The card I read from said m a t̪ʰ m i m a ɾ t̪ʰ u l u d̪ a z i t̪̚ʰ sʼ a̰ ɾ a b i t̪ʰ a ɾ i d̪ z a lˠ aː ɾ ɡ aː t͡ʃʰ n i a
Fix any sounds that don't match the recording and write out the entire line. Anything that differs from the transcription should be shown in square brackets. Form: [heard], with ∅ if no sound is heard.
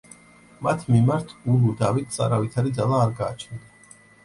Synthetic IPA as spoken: m a t̪ʰ m i m a ɾ t̪ʰ u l u d̪ a [v] i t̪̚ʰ sʼ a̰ ɾ a [v] i t̪ʰ a ɾ i d̪ z a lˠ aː ɾ ɡ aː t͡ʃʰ n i a